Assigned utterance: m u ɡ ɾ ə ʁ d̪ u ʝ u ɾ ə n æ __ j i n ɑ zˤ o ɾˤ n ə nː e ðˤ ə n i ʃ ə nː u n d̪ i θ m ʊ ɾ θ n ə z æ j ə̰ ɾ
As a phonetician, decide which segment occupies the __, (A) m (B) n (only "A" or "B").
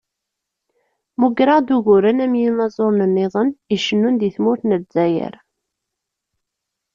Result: A